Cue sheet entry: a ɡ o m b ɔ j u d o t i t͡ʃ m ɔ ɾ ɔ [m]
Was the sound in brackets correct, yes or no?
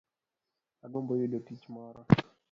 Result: no